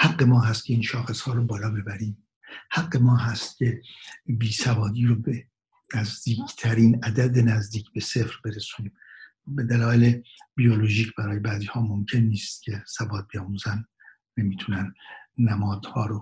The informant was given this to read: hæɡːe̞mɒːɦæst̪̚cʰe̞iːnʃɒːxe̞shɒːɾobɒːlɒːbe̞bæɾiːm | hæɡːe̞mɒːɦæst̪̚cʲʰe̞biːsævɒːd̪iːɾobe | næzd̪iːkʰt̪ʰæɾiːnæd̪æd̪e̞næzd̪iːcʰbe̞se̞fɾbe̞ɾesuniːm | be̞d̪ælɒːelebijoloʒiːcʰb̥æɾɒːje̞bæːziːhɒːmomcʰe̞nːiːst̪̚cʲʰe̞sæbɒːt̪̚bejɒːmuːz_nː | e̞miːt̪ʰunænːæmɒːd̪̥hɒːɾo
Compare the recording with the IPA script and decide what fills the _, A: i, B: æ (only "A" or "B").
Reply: B